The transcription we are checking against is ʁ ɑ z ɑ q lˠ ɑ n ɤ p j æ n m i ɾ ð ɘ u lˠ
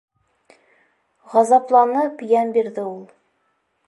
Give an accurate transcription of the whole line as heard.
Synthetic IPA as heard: ʁ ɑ z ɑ p lˠ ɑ n ɤ p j æ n b i ɾ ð ɘ u lˠ